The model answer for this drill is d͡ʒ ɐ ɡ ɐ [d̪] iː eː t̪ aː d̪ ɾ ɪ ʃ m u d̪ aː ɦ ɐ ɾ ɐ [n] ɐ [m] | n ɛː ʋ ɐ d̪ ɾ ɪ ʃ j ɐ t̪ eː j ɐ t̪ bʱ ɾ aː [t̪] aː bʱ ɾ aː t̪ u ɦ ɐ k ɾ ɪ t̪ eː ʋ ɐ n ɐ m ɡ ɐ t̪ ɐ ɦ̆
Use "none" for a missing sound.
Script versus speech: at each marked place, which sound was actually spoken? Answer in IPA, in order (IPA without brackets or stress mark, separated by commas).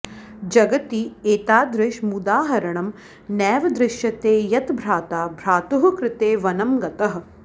t̪, ɳ, m, t̪